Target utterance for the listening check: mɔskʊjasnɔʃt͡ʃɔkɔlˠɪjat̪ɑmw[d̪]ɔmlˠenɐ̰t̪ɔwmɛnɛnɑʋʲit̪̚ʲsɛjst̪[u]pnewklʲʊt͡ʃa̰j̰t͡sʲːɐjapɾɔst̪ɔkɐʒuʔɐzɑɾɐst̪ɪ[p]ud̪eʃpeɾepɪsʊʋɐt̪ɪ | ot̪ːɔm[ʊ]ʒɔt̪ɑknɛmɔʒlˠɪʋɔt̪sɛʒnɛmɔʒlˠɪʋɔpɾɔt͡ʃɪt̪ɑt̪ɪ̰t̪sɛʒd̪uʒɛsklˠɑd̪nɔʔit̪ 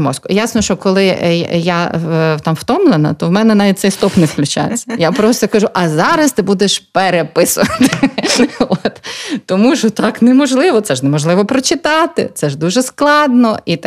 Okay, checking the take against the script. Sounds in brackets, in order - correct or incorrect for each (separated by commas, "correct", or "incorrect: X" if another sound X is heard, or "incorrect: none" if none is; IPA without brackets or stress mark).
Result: incorrect: t̪, incorrect: ɔ, incorrect: b, incorrect: u